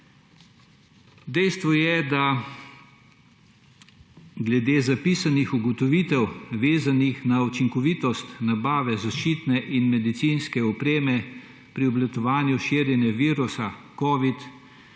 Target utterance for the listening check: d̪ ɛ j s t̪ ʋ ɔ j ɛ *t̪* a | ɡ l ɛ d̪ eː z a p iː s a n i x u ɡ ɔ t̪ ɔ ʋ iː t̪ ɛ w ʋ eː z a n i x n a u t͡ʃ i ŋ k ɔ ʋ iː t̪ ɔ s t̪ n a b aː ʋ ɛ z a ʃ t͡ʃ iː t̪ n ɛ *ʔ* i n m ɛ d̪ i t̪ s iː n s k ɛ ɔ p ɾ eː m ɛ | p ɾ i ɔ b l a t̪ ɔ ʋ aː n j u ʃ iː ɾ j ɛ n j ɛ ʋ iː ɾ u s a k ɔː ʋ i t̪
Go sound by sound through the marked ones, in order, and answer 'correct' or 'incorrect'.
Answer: incorrect: d̪, correct

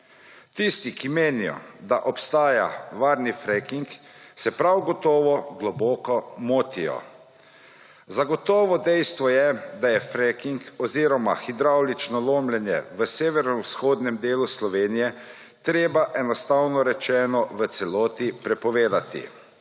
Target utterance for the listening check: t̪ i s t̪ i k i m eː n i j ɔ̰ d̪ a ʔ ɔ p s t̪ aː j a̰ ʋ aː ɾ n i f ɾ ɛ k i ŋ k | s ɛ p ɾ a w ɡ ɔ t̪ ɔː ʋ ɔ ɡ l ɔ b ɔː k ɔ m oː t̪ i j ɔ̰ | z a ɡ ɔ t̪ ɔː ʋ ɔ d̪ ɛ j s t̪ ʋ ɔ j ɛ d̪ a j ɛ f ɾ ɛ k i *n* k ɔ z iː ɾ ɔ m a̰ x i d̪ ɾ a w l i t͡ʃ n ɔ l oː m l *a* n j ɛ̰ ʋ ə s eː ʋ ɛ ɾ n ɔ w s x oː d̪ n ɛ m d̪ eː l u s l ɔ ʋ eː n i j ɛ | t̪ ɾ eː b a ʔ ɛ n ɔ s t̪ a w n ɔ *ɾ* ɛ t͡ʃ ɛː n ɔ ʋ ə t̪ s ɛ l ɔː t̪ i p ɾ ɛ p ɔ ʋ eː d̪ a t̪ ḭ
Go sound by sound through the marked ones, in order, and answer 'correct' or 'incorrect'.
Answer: incorrect: ŋ, incorrect: ɛ, correct

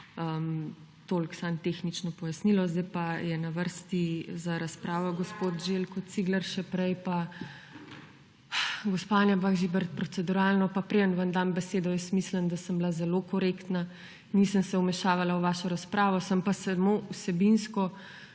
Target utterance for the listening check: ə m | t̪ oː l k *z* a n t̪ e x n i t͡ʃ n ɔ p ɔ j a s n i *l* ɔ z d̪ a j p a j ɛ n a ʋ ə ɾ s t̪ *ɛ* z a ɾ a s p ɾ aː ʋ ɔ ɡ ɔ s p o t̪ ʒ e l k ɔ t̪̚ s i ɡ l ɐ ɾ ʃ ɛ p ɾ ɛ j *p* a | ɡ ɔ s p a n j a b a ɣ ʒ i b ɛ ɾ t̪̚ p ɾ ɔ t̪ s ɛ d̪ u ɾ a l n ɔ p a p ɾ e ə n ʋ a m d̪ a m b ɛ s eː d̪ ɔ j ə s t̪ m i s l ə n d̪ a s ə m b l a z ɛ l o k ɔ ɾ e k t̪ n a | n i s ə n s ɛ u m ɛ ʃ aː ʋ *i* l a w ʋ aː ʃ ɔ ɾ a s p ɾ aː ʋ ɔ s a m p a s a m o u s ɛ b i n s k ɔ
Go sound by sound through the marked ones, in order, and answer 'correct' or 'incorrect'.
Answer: incorrect: s, correct, incorrect: i, correct, incorrect: a

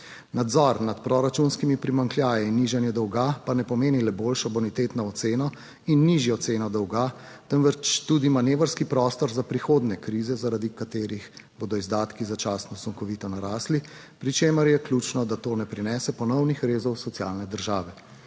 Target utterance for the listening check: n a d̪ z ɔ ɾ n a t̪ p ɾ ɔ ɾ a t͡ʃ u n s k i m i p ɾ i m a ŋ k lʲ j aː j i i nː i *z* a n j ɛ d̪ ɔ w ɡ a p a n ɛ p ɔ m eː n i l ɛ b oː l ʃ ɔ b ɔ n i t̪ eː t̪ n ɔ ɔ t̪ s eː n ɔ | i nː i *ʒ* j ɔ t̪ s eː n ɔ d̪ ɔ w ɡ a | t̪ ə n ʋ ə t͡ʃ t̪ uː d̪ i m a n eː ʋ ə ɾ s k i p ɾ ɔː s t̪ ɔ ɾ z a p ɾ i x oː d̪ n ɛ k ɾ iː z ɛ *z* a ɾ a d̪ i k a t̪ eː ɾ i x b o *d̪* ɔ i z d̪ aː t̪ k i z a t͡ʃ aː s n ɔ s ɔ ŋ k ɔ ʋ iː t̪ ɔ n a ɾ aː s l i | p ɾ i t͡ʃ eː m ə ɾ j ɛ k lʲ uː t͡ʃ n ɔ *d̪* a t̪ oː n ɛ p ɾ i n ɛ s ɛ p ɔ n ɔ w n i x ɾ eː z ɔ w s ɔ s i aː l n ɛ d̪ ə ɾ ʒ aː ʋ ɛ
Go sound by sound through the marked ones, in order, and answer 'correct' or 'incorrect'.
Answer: incorrect: ʒ, correct, correct, correct, correct

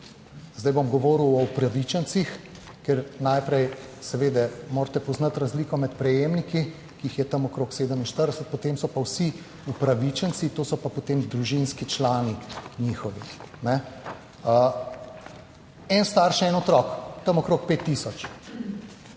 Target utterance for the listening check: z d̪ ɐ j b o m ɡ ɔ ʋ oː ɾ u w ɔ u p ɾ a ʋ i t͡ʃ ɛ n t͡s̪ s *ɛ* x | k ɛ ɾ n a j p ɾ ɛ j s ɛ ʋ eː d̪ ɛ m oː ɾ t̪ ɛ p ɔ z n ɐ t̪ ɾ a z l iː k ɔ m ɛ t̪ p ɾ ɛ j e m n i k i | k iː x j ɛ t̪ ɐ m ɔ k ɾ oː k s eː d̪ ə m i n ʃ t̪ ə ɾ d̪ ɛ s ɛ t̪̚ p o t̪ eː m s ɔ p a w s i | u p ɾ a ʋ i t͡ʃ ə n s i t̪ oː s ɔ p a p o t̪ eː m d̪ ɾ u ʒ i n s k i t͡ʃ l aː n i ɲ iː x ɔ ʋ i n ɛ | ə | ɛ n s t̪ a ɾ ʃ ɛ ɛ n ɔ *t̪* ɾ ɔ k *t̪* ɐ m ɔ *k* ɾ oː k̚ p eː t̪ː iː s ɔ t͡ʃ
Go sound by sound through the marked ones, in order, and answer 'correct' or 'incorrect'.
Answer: incorrect: i, correct, correct, correct

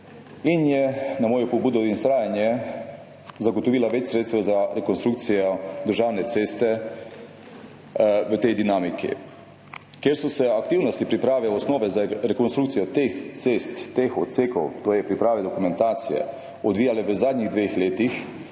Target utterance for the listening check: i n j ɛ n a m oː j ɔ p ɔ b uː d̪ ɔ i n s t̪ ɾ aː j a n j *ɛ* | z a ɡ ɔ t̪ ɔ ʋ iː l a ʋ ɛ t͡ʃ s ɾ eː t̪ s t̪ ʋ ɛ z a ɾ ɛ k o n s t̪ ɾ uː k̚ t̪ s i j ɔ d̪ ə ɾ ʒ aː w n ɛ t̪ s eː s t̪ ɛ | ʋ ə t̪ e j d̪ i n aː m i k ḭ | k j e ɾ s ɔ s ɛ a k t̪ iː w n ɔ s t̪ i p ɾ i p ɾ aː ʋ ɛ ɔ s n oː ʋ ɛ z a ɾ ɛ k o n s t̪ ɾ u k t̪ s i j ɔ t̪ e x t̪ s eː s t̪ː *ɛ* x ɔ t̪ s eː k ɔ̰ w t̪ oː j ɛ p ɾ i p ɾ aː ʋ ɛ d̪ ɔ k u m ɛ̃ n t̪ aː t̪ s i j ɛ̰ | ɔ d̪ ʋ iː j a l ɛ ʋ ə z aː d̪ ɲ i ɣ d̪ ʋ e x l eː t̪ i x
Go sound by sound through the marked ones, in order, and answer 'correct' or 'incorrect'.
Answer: correct, incorrect: e

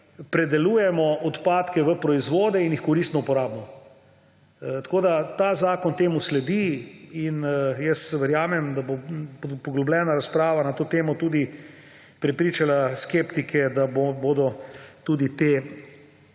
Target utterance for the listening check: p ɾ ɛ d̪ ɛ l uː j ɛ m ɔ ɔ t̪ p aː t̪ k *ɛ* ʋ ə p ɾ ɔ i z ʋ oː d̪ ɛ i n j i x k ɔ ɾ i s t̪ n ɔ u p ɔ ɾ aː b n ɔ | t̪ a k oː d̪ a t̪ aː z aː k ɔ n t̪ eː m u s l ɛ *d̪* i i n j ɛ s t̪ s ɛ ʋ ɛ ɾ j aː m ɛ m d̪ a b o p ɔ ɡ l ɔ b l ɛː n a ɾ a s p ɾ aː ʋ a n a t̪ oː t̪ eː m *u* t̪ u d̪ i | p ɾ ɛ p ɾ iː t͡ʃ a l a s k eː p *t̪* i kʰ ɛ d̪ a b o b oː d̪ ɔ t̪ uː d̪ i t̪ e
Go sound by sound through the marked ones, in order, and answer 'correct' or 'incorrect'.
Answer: correct, correct, incorrect: ɔ, correct

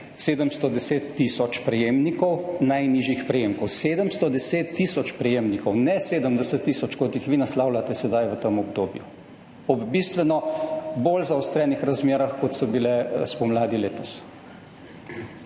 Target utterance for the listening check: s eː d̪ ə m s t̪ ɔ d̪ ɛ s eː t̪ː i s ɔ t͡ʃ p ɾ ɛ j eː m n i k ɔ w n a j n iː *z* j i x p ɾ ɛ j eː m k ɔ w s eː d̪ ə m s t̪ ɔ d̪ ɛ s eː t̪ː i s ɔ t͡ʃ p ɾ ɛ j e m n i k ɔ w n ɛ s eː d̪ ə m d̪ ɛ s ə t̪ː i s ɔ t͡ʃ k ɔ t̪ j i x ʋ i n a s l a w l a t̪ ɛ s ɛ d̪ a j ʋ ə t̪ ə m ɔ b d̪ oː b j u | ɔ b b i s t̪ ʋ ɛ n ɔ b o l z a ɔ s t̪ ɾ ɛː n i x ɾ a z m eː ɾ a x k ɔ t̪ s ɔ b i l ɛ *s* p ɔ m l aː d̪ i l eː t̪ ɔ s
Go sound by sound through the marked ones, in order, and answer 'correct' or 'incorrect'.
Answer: incorrect: ʒ, correct

